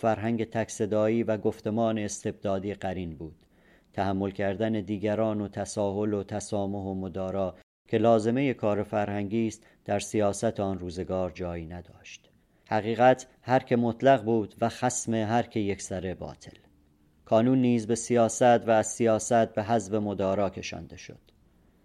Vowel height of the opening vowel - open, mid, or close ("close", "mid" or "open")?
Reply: open